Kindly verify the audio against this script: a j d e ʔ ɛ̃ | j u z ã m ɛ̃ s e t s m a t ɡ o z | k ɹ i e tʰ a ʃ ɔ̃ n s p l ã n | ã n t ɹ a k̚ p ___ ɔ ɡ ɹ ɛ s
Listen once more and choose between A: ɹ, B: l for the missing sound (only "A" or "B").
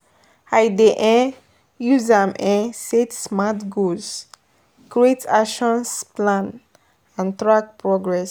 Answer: A